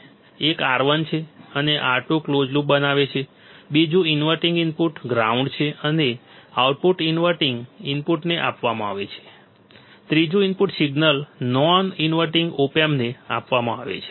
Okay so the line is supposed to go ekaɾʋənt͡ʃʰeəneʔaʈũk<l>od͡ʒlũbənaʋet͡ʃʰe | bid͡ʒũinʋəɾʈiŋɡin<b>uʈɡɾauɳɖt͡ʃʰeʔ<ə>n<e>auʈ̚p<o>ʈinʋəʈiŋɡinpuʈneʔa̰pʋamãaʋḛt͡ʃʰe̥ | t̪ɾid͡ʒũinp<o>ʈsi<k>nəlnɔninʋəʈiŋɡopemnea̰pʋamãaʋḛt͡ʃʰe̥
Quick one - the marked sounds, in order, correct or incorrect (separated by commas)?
correct, incorrect, correct, correct, incorrect, incorrect, incorrect